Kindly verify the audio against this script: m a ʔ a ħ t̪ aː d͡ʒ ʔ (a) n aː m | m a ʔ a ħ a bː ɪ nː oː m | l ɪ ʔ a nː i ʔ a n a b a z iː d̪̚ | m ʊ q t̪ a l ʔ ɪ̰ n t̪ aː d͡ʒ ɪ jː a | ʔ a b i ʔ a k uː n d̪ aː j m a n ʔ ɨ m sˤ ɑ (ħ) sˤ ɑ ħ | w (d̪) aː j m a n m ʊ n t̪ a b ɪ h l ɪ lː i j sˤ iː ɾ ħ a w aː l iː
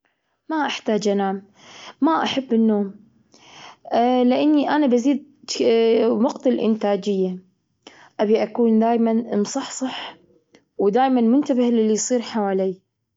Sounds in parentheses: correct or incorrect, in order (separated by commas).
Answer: correct, correct, correct